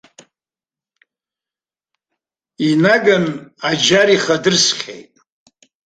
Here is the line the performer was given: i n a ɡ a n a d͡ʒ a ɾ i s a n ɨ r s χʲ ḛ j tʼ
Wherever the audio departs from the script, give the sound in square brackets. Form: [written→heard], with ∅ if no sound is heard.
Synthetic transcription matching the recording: i n a ɡ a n a d͡ʒ a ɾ i [s→χ] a [n→d] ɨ r s χʲ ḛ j tʼ